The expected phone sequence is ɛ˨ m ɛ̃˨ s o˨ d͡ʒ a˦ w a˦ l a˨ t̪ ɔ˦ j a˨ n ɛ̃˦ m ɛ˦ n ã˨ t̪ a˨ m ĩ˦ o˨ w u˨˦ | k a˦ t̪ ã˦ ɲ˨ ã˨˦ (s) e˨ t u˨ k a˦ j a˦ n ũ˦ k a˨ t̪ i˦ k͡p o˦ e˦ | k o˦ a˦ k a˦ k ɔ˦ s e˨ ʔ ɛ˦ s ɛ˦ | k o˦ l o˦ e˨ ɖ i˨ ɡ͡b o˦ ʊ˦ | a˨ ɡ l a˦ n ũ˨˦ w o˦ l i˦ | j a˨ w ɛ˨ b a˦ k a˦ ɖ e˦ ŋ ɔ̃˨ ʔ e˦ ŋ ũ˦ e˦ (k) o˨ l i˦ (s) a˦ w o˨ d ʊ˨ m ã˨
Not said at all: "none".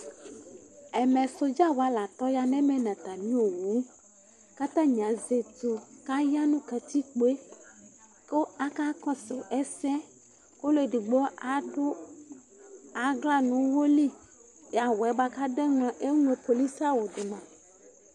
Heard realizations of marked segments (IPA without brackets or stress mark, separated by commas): z, p, s